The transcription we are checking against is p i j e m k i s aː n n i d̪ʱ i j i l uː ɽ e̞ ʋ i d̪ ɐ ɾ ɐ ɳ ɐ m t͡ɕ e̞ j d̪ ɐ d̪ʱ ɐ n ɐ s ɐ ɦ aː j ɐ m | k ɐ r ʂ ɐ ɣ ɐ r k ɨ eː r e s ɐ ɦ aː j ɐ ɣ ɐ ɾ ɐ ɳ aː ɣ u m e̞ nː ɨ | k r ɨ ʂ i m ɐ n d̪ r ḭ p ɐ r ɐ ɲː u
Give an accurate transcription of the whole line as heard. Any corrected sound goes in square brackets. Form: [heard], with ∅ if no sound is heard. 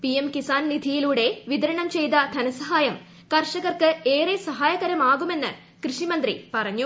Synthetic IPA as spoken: p i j e m k i s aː n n i d̪ʱ i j i l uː ɽ e̞ ʋ i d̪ ɐ ɾ ɐ ɳ ɐ m t͡ɕ e̞ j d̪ ɐ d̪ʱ ɐ n ɐ s ɐ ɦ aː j ɐ m | k ɐ r ʂ ɐ ɣ ɐ r k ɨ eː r e s ɐ ɦ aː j ɐ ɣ ɐ ɾ ɐ [m] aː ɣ u m e̞ nː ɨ | k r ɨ ʂ i m ɐ n d̪ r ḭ p ɐ r ɐ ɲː u